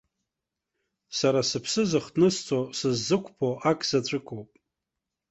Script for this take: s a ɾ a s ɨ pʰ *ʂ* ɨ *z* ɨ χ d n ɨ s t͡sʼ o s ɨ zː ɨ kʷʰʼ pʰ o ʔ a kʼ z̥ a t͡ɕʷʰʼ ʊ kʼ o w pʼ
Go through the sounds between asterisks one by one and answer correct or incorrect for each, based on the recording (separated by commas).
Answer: incorrect, correct